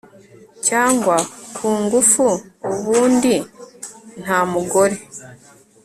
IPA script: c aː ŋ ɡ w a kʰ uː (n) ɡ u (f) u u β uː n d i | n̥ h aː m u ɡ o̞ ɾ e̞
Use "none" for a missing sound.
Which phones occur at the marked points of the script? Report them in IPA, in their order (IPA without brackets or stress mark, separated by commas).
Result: ŋ, f